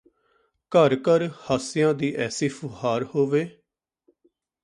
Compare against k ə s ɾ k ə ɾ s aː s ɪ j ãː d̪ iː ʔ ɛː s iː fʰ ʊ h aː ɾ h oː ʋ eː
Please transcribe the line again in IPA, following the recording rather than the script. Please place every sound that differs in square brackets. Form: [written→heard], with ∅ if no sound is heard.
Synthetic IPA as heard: k ə [s→∅] ɾ k ə ɾ [s→h] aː s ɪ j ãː d̪ iː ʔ ɛː s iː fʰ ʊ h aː ɾ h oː ʋ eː